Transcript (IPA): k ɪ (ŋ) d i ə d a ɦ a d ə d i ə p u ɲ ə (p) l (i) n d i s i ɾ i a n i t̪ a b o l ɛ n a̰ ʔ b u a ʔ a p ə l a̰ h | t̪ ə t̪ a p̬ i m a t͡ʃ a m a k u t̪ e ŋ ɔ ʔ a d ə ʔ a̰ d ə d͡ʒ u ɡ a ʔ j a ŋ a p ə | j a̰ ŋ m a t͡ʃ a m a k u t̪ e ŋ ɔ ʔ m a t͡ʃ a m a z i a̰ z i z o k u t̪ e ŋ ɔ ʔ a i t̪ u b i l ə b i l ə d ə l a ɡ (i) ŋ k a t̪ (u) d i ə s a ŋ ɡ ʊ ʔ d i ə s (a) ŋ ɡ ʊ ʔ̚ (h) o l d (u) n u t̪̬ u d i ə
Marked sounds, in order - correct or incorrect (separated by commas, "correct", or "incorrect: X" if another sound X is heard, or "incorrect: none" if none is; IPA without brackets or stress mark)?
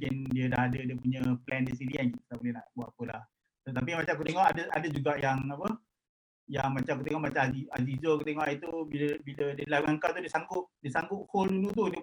incorrect: n, correct, incorrect: ɛ, incorrect: a, correct, correct, correct, correct